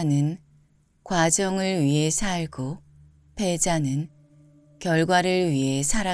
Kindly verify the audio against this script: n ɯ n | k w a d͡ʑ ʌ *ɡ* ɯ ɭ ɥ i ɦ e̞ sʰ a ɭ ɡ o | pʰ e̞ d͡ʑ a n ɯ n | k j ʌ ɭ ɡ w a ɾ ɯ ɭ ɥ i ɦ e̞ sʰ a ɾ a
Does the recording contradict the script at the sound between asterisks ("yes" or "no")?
yes